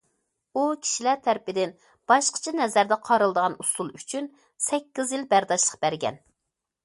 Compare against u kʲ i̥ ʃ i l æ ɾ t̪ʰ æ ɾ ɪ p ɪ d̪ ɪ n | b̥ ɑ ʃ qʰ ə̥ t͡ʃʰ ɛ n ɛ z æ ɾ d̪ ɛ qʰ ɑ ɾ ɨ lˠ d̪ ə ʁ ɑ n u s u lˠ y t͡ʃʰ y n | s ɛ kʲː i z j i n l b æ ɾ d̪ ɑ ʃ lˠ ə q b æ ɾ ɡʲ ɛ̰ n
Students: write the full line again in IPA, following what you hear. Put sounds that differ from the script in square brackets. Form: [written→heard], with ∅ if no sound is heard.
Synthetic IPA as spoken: u [kʲ→kʲʰ] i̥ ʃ i l æ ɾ t̪ʰ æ ɾ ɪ p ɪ d̪ ɪ n | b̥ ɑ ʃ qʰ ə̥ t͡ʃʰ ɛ n ɛ z æ ɾ d̪ ɛ qʰ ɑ ɾ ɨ lˠ d̪ ə ʁ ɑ n u s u lˠ y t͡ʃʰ y n | s ɛ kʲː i z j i [n→∅] l b æ ɾ d̪ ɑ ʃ lˠ ə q b æ ɾ ɡʲ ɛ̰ n